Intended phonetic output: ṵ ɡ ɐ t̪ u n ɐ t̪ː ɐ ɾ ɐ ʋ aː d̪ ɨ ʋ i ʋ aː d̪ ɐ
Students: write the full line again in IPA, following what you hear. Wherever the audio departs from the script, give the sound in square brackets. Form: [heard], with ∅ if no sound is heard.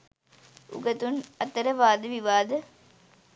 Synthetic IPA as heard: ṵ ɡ ɐ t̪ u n ɐ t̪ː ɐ ɾ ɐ ʋ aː d̪ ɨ ʋ i ʋ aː d̪ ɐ